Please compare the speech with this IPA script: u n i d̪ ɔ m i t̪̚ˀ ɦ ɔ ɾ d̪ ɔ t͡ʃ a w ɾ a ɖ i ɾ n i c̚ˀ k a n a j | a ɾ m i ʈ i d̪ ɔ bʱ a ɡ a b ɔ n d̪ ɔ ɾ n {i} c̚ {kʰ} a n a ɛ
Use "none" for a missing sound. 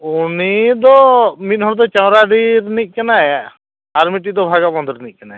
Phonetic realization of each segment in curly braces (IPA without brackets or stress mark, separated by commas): i, k